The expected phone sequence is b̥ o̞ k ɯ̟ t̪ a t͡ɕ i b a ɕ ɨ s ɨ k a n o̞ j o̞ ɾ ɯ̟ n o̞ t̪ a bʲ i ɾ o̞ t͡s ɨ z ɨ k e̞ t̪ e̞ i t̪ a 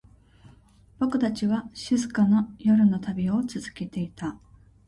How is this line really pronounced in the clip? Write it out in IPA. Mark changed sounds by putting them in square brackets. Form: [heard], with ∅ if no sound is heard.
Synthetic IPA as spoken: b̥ o̞ k ɯ̟ t̪ a t͡ɕ i [β] a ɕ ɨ [z] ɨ k a n o̞ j o̞ ɾ ɯ̟ n o̞ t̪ a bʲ i [∅] o̞ t͡s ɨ z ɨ k e̞ t̪ e̞ i t̪ a